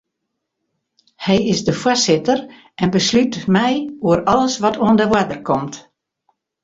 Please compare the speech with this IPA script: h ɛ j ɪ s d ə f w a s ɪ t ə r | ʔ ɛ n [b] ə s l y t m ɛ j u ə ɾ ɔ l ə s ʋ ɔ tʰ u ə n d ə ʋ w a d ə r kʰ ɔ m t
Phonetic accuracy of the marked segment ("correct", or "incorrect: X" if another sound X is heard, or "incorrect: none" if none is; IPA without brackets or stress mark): correct